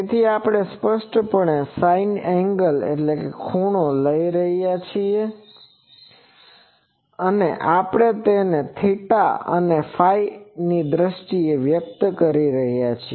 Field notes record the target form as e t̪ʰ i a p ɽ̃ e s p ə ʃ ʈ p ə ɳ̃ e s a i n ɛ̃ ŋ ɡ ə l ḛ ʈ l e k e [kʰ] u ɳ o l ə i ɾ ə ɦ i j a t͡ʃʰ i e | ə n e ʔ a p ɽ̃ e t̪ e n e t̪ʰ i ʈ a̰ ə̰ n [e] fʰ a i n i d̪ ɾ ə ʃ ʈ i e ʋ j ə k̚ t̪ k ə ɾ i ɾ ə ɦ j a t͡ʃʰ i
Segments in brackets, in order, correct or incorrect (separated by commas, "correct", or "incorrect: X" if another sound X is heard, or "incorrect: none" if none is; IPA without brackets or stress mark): correct, correct